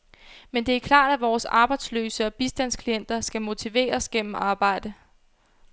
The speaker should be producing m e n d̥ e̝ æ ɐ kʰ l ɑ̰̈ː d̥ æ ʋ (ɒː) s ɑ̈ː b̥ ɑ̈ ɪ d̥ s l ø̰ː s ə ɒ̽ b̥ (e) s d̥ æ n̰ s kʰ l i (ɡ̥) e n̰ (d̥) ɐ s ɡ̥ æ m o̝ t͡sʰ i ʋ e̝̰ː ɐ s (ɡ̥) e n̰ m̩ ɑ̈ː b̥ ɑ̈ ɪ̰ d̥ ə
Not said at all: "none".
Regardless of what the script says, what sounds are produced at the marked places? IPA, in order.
ɒː, i, none, d̥, ɡ̥

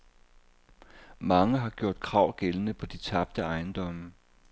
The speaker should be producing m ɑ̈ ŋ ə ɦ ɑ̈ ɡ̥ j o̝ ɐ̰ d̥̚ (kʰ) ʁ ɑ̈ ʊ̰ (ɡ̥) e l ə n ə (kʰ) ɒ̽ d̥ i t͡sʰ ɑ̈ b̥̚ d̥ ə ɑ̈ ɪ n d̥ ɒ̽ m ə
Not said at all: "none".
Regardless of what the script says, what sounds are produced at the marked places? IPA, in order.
kʰ, ɡ̥, pʰ

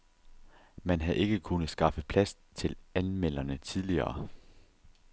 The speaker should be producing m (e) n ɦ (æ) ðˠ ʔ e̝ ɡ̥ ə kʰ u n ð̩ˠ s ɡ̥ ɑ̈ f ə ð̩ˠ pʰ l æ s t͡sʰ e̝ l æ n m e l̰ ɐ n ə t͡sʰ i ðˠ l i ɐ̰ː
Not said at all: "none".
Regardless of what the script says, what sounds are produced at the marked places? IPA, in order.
æ, æ

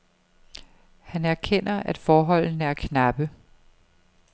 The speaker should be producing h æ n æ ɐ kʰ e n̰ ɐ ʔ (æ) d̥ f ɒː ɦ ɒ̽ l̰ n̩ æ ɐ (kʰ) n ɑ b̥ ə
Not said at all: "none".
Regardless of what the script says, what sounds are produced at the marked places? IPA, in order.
æ, kʰ

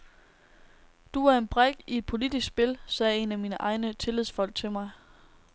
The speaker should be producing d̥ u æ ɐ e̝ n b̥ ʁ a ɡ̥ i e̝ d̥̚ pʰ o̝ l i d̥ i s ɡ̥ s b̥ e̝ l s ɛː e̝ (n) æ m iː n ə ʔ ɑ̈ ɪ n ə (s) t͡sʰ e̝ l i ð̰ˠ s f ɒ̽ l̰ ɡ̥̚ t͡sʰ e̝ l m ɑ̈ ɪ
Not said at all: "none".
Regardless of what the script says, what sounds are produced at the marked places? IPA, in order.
n, none

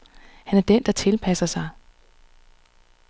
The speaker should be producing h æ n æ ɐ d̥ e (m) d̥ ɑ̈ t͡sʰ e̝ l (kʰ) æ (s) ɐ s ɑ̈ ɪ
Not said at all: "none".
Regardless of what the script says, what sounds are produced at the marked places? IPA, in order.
n, pʰ, s

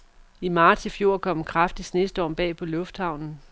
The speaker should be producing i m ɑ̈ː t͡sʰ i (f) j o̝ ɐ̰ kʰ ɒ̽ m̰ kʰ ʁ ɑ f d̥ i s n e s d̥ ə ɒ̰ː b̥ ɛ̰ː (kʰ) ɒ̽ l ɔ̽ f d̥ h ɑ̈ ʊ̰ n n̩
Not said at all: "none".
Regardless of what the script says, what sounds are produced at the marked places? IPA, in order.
f, pʰ

